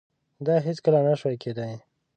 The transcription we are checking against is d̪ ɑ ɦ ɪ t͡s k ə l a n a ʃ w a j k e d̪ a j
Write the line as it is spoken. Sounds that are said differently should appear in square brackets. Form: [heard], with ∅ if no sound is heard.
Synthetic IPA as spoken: d̪ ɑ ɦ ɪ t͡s k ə l a n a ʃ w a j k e d̪ a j